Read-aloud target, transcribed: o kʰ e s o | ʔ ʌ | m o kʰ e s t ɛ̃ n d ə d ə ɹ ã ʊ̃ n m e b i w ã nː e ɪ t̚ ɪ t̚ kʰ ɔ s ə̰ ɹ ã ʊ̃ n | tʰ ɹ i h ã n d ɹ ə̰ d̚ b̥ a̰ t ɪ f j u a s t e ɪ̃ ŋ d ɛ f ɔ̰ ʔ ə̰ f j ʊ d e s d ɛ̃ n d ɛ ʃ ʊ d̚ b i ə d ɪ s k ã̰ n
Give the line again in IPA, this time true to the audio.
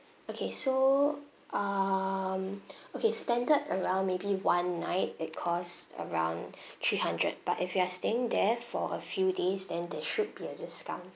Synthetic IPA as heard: o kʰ e s o | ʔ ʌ | m o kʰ e s t ɛ̃ n d ə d ə ɹ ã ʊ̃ n m e b i w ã nː a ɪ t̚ ɪ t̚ kʰ ɔ s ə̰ ɹ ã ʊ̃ n | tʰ ɹ i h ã n d ɹ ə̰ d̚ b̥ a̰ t ɪ f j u a s t e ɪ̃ ŋ d ɛ f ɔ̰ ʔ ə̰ f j u d e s d ɛ̃ n d ɛ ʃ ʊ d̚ b i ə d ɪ s k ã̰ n

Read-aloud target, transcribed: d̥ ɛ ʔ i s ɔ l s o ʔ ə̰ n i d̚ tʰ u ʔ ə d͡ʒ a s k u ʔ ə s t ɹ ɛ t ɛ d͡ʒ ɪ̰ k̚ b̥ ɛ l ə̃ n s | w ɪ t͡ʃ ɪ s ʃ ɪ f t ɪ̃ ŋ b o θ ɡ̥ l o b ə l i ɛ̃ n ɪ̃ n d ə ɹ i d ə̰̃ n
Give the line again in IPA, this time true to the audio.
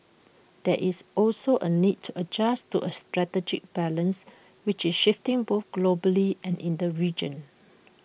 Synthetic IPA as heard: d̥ ɛ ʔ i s ɔ l s o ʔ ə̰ n i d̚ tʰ u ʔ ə d͡ʒ a s t u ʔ ə s t ɹ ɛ t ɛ d͡ʒ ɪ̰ k̚ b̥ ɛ l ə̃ n s | w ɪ t͡ʃ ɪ s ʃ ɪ f t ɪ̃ ŋ b o θ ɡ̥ l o b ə l i ɛ̃ n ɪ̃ n d ə ɹ i d͡ʒ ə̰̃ n

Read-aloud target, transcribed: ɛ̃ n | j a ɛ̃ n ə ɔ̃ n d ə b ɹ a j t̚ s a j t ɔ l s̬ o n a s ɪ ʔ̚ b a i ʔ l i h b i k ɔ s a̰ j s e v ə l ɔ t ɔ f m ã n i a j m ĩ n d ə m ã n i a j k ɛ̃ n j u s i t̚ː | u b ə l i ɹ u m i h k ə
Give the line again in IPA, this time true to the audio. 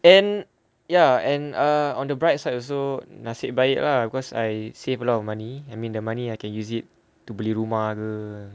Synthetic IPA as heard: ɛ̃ n | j a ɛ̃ n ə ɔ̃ n d ə b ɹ a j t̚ s a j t ɔ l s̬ o n a s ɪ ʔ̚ b a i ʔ l a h b i k ɔ s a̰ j s e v ə l ɔ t ɔ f m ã n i a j m ĩ n d ə m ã n i a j k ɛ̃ n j u s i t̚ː | u b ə l i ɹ u m a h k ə

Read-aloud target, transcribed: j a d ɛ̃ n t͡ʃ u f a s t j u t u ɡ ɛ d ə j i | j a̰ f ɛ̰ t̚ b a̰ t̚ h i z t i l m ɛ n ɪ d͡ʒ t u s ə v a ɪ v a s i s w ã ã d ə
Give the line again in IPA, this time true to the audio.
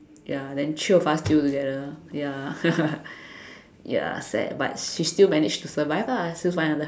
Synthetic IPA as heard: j a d ɛ̃ n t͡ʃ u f a s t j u t u ɡ ɛ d ə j a | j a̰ s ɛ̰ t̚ b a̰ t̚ ʃ i s t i l m ɛ n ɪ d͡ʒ t u s ə v a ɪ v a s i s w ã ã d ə

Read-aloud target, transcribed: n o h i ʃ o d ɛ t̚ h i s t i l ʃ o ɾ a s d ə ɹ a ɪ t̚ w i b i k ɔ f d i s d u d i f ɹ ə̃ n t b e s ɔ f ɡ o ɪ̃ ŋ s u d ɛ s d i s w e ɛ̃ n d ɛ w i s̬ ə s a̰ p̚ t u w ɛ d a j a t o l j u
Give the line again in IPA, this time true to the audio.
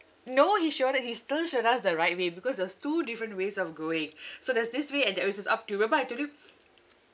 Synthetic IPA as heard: n o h i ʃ o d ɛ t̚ h i s t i l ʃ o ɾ a s d ə ɹ a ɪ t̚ w e b i k ɔ s d ɛ s t u d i f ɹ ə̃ n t w e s ɔ f ɡ o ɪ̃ ŋ s o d ɛ s d i s w e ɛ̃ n d ɛ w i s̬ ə s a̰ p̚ t u w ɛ b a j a t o l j u

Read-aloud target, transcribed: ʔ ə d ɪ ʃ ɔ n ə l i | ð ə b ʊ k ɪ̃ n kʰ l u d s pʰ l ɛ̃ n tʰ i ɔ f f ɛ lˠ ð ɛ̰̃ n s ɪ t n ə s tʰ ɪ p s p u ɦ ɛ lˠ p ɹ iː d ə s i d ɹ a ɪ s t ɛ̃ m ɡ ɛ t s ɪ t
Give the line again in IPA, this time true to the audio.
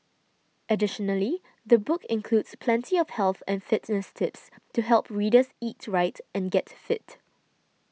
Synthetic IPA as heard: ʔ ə d ɪ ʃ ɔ n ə l i | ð ə b ʊ k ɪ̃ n kʰ l u d s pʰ l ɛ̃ n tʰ i ɔ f h ɛ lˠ θ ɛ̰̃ n f ɪ t n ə s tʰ ɪ p s t u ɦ ɛ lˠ p ɹ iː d ə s i t ɹ a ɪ t ɛ̃ n ɡ ɛ t f ɪ t

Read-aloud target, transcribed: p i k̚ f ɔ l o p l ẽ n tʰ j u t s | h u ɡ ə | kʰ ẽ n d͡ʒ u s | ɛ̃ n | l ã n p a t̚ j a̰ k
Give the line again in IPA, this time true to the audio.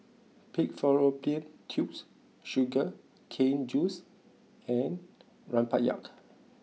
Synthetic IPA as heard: p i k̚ f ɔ ɹ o p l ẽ n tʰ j u p s | ʃ u ɡ ə | kʰ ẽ n d͡ʒ u s | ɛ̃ n | ɹ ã n p a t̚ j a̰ k

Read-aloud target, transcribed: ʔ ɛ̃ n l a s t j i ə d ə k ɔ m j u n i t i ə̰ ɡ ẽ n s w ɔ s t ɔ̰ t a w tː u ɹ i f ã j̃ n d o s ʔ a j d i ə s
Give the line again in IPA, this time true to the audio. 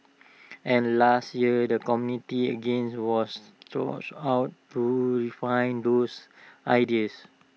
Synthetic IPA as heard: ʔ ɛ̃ n l a s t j i ə d ə k ɔ m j u n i t i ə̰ ɡ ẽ n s w ɔ s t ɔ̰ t a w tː u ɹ i f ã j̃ n d o s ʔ a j d i ə s

